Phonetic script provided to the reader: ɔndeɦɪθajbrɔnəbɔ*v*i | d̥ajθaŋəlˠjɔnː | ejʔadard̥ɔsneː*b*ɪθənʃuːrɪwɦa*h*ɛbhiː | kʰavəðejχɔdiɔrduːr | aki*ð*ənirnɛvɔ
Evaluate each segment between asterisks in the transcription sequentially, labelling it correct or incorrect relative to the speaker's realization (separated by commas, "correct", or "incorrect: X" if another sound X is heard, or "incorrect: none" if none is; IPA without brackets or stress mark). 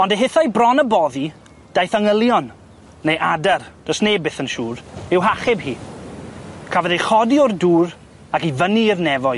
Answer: incorrect: ð, correct, incorrect: χ, incorrect: v